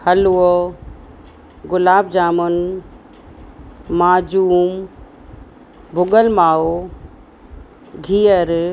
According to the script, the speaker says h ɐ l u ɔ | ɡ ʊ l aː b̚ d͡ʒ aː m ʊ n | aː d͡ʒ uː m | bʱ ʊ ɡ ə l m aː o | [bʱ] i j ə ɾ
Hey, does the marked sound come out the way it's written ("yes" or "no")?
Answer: no